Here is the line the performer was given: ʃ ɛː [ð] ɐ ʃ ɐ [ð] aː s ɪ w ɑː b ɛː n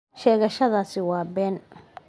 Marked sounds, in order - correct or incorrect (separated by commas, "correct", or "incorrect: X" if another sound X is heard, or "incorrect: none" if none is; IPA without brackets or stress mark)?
incorrect: ɣ, correct